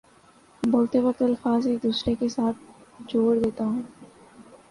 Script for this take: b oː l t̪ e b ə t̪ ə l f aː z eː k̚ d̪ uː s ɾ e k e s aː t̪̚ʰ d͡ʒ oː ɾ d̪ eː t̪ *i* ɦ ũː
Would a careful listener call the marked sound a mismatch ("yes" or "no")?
yes